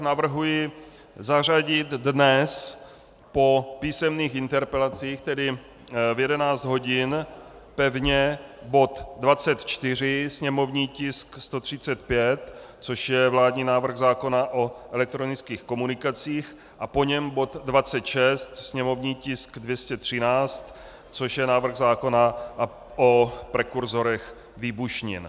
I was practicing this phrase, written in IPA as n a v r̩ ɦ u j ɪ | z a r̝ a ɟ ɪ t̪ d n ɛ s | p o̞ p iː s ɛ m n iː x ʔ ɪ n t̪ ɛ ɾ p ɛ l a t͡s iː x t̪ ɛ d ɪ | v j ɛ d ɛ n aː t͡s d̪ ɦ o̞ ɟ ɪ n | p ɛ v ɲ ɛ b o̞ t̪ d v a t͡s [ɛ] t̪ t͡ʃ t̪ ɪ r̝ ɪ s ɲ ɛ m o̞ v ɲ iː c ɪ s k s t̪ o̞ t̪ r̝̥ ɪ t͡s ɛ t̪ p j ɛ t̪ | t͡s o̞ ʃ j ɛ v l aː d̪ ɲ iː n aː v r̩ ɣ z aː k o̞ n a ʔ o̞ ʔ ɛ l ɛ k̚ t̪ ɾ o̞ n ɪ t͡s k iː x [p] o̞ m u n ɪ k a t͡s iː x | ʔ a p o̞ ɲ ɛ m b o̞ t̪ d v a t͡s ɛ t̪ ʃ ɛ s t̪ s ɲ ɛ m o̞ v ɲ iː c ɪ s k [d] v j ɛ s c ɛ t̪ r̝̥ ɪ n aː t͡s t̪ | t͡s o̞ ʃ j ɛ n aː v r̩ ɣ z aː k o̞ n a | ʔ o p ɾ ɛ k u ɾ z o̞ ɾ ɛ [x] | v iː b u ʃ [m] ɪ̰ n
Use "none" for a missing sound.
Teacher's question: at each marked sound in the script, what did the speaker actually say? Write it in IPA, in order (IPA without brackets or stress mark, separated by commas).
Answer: ɛ, k, d, x, ɲ